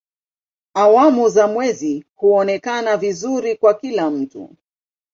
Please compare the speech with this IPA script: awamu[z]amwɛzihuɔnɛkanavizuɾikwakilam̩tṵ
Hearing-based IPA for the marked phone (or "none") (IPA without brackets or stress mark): z